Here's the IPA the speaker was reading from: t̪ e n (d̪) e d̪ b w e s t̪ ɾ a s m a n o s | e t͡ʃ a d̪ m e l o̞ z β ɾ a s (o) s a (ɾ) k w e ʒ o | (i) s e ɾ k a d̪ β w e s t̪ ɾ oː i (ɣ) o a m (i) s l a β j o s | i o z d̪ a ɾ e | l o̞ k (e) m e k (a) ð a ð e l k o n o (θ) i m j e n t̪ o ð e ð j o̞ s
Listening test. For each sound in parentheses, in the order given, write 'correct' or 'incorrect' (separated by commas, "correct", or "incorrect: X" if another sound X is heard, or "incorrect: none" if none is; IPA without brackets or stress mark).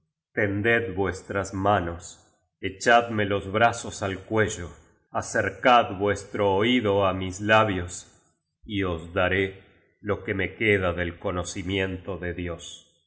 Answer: correct, correct, incorrect: l, incorrect: a, incorrect: ð, correct, correct, incorrect: e, incorrect: s